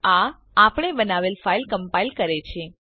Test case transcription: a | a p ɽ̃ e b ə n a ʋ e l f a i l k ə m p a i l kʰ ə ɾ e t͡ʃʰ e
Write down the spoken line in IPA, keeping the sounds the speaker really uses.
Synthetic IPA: a | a p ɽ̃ e b ə n a ʋ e l f a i l k ə m p a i l k ə ɾ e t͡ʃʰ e